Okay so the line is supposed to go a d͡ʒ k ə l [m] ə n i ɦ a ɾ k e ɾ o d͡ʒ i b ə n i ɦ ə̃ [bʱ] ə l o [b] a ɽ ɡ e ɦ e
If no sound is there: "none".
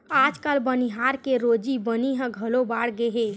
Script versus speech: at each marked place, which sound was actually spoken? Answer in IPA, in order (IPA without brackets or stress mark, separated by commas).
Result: b, ɡʱ, b